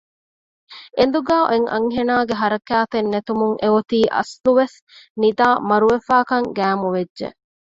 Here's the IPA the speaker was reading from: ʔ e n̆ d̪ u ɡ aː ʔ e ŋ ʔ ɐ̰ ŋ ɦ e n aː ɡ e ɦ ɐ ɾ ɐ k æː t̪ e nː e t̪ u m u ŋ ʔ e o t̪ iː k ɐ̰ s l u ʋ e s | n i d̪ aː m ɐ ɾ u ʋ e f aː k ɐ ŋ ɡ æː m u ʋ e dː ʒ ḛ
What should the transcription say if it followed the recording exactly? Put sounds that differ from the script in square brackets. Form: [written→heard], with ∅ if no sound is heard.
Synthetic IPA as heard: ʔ e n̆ d̪ u ɡ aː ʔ e ŋ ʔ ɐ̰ ŋ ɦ e n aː ɡ e ɦ ɐ ɾ ɐ k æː t̪ e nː e t̪ u m u ŋ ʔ e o t̪ iː [k→ʔ] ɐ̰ s l u ʋ e s | n i d̪ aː m ɐ ɾ u ʋ e f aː k ɐ ŋ ɡ æː m u ʋ e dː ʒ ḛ

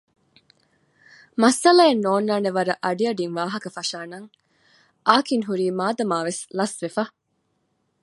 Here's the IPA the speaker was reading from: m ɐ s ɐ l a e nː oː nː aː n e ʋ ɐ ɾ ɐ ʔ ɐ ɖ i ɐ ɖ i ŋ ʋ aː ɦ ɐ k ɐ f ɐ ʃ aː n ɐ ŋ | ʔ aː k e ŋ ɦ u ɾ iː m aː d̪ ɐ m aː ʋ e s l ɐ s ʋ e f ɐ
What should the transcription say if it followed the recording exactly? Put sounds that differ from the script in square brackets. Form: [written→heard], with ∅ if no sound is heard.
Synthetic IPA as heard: m ɐ s ɐ l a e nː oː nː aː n e ʋ ɐ ɾ ɐ ʔ ɐ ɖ i ɐ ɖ i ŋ ʋ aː ɦ ɐ k ɐ f ɐ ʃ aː n ɐ ŋ | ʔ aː k [e→i] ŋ ɦ u ɾ iː m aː d̪ ɐ m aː ʋ e s l ɐ s ʋ e f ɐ

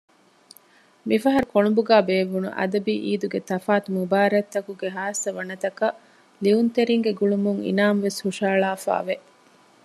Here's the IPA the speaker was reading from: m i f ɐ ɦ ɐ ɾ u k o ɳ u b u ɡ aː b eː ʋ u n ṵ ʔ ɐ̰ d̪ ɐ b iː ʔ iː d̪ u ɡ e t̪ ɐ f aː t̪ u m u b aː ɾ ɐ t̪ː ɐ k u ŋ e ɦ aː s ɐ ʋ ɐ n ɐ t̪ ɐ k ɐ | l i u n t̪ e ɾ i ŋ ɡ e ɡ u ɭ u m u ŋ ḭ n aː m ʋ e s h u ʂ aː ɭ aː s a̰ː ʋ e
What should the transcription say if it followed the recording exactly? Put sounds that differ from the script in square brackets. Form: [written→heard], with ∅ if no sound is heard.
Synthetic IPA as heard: m i f ɐ ɦ ɐ ɾ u k o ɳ u b u ɡ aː b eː ʋ u n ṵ ʔ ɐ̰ d̪ ɐ b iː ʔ iː d̪ u ɡ e t̪ ɐ f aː t̪ u m u b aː ɾ ɐ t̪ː ɐ k u [ŋ→ɡ] e ɦ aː s ɐ ʋ ɐ n ɐ t̪ ɐ k ɐ | l i u n t̪ e ɾ i ŋ ɡ e ɡ u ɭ u m u ŋ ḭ n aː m ʋ e s h u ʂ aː ɭ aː [s→f] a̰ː ʋ e

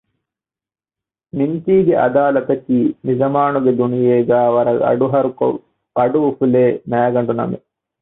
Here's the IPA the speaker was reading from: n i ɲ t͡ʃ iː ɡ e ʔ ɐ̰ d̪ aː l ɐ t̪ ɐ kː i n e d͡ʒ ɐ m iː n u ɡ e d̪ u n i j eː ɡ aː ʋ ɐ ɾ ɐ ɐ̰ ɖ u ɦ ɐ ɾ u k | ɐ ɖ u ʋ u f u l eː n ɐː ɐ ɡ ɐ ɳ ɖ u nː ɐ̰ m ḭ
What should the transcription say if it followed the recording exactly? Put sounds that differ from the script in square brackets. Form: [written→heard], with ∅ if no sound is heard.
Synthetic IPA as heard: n i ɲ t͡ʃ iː ɡ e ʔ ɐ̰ d̪ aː l ɐ t̪ ɐ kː i n [e→i] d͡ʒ ɐ m [iː→aː] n u ɡ e d̪ u n i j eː ɡ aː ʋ ɐ ɾ ɐ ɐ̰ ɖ u ɦ ɐ ɾ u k | ɐ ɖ u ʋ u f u l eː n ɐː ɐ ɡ ɐ ɳ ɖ u [nː→n] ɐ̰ m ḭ

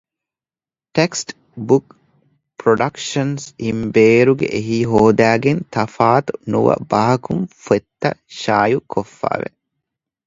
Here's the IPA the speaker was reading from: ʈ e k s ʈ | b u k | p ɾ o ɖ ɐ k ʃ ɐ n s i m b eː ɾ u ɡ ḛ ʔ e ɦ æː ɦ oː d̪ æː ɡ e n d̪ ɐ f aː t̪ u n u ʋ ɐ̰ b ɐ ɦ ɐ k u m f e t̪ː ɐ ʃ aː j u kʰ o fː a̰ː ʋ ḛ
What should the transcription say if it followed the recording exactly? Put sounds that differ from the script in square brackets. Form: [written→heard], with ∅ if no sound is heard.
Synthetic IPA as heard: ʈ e k s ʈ | b u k | p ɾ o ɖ ɐ k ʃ ɐ n s i m b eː ɾ u ɡ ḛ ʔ e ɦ [æː→iː] ɦ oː d̪ æː ɡ e n [d̪→t̪] ɐ f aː t̪ u n u ʋ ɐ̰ b ɐ ɦ ɐ k u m f e t̪ː ɐ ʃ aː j u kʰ o fː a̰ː ʋ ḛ

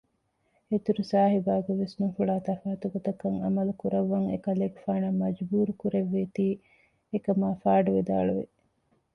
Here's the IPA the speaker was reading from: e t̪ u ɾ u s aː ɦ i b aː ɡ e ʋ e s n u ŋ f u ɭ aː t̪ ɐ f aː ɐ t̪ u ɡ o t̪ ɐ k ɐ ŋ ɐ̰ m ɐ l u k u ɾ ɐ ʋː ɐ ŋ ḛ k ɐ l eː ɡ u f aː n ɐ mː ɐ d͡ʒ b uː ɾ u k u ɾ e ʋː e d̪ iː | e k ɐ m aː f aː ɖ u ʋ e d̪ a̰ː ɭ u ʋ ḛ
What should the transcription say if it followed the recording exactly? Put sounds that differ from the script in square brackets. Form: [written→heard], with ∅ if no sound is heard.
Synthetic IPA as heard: e t̪ u ɾ u s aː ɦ i b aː ɡ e ʋ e s n u ŋ f u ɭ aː t̪ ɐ f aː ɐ t̪ u ɡ o t̪ ɐ k ɐ ŋ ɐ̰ m ɐ l u k u ɾ ɐ ʋː ɐ ŋ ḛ k ɐ l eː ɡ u f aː n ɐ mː ɐ d͡ʒ b uː ɾ u k u ɾ e ʋː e [d̪→t̪] iː | e k ɐ m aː f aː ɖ u ʋ e d̪ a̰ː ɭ u ʋ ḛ

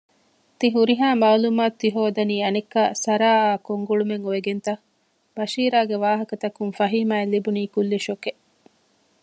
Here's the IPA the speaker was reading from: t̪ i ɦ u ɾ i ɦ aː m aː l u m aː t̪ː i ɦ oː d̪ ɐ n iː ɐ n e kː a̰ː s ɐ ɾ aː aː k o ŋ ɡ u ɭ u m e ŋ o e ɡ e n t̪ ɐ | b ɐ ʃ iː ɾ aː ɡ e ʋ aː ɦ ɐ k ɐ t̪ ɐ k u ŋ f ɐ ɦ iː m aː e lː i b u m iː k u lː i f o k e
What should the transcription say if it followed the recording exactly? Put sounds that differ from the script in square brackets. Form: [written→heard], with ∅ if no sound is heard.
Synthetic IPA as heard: t̪ i ɦ u ɾ i ɦ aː m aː l u m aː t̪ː i ɦ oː d̪ ɐ n iː ɐ n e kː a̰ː s ɐ ɾ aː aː k o ŋ ɡ u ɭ u m e ŋ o e ɡ e n t̪ ɐ | b ɐ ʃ iː ɾ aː ɡ e ʋ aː ɦ ɐ k ɐ t̪ ɐ k u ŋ f ɐ ɦ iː m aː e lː i b u [m→n] iː k u lː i [f→ʃ] o k e

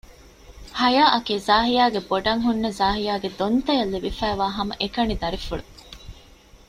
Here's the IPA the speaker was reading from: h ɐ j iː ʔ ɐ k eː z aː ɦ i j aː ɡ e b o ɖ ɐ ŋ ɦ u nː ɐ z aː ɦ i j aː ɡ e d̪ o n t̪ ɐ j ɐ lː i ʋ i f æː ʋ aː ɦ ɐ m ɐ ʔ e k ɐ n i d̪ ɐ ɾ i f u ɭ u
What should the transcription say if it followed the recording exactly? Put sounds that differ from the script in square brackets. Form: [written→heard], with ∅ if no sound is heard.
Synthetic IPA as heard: h ɐ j [iː→aː] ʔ ɐ k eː z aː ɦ i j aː ɡ e b o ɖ ɐ ŋ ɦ u nː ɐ z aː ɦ i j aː ɡ e d̪ o n t̪ ɐ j ɐ lː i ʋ i f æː ʋ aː ɦ ɐ m ɐ ʔ e k ɐ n i d̪ ɐ ɾ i f u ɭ u

